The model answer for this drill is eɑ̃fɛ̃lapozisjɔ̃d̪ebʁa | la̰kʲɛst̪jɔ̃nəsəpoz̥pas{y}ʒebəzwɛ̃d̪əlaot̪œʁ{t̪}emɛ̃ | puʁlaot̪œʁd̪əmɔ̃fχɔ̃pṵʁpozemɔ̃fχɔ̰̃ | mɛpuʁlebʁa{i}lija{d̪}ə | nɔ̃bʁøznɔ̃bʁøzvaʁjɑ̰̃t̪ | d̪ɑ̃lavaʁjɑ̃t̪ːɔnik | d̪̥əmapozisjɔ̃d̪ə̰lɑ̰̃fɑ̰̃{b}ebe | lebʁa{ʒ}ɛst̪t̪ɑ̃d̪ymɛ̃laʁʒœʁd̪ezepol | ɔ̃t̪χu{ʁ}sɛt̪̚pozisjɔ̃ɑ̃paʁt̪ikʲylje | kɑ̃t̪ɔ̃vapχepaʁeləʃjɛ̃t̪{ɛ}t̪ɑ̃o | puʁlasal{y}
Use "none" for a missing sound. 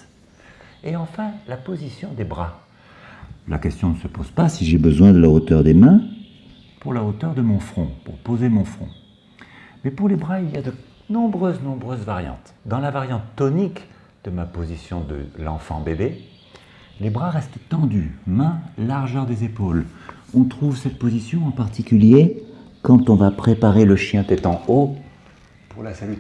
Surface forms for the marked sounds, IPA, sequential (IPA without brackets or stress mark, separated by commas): i, d̪, i, d̪, b, ʁ, v, ɛ, y